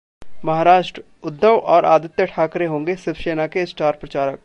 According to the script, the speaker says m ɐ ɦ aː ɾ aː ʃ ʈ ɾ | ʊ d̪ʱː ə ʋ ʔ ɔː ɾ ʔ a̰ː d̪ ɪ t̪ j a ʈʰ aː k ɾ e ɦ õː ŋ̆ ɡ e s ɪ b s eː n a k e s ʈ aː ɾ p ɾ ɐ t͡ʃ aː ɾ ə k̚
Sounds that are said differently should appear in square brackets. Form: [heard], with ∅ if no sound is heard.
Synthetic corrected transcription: m ɐ ɦ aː ɾ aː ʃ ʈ ɾ | ʊ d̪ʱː ə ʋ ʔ ɔː ɾ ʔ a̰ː d̪ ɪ t̪ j [ə] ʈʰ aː k ɾ e ɦ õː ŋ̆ ɡ e s ɪ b [ʃ] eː n a k e s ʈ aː ɾ p ɾ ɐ t͡ʃ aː ɾ ə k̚